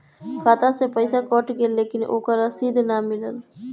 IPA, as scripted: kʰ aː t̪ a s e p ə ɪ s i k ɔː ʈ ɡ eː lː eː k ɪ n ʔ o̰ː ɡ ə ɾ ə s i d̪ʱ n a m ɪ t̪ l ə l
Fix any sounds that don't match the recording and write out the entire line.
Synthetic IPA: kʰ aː t̪ a s e p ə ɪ s a k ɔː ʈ ɡ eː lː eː k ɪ n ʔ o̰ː k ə ɾ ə s i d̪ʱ n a m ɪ l ə l